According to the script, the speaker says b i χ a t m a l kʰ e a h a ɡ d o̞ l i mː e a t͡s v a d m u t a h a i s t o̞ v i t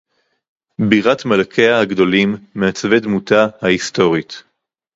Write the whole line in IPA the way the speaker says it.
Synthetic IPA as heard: b i ʁ a t m a l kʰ e a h a ɡ d o̞ l i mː e a t͡s v e d m u t a h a i s t o̞ ʁ i t